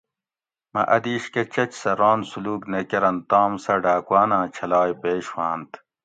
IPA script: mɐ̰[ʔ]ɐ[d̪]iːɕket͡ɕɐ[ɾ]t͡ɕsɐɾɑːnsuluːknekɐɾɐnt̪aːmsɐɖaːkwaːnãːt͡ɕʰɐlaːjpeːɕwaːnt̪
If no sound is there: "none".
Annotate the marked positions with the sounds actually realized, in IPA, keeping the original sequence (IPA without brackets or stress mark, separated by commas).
ʔ, d̪, none